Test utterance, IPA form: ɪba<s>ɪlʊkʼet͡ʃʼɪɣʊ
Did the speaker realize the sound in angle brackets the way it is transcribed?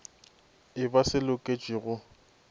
yes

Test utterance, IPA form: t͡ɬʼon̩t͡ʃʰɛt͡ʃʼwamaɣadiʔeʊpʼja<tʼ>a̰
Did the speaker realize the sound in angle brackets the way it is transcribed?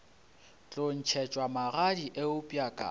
no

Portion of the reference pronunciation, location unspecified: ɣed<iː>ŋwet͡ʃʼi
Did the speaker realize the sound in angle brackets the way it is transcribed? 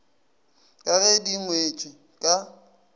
no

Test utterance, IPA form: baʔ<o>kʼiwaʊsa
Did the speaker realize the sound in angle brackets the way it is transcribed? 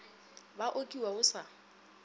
yes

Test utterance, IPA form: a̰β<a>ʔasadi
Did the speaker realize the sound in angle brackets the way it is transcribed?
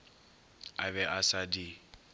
no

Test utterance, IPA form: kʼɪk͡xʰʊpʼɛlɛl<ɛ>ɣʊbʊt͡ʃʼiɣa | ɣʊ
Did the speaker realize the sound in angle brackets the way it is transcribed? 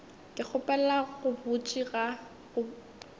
no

